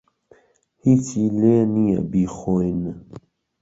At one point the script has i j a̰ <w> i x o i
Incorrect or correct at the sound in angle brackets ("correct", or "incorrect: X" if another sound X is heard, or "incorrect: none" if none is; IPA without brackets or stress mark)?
incorrect: b